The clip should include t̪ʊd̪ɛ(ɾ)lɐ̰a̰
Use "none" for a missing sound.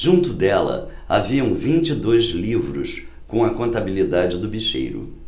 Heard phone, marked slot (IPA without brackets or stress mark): none